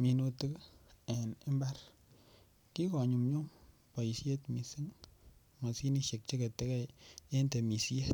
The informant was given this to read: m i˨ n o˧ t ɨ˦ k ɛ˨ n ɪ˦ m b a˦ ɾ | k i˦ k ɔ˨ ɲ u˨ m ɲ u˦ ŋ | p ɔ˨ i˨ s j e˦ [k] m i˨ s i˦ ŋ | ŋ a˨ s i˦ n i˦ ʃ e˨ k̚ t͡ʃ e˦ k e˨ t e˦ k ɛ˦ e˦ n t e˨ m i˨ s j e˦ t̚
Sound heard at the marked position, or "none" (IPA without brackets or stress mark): t